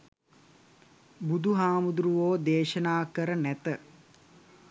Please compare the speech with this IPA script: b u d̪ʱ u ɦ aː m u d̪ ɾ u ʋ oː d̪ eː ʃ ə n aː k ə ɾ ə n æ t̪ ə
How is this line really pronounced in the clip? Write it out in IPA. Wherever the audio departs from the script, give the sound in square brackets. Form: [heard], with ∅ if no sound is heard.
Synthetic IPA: b u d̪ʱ u ɦ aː m u d̪ ɾ u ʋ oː d̪ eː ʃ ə n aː k ə ɾ ə n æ t̪ ə